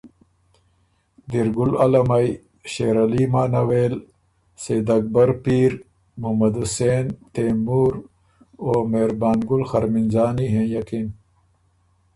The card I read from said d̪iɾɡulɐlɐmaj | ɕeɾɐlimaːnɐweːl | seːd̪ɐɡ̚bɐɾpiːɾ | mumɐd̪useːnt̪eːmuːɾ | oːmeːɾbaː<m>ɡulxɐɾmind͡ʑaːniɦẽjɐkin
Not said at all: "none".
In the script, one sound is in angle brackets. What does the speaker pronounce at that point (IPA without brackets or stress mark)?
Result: n